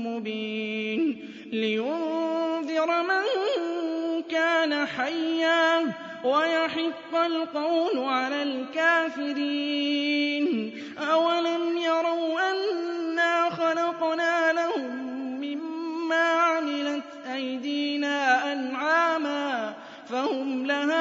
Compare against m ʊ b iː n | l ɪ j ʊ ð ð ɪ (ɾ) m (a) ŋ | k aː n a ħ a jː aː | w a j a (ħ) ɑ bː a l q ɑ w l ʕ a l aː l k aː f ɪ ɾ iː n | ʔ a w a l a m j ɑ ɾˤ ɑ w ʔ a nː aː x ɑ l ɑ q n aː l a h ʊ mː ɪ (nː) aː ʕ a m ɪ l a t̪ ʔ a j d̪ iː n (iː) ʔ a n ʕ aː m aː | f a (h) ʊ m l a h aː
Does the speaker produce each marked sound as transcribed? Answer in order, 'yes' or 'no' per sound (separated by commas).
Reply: yes, yes, yes, no, no, yes